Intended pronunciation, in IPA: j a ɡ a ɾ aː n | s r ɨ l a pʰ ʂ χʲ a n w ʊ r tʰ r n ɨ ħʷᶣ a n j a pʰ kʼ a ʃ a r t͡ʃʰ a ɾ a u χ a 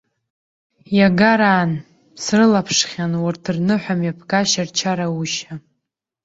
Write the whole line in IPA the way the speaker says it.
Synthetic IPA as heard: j a ɡ a ɾ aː n | s r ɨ l a pʰ ʂ χʲ a n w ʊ r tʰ r n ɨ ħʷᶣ a m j a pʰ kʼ a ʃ a r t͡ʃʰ a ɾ a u ʃ a